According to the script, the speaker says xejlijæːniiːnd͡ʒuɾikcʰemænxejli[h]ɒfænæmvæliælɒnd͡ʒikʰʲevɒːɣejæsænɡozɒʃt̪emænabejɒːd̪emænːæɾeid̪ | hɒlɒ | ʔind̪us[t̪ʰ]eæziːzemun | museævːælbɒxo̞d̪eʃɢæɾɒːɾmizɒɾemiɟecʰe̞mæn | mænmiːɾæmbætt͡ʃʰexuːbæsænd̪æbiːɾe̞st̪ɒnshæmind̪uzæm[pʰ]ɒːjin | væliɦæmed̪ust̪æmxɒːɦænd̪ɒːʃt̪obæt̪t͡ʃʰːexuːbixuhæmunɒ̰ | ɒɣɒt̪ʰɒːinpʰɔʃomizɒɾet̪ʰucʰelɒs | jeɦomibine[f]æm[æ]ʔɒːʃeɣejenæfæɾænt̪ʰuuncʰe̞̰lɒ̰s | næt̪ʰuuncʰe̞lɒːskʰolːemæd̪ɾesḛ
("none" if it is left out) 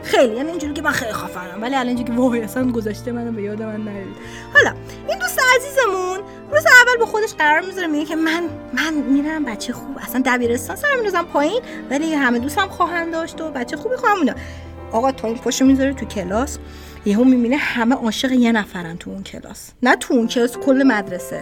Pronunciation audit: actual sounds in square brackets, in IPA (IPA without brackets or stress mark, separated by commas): x, t̪, pʰ, h, e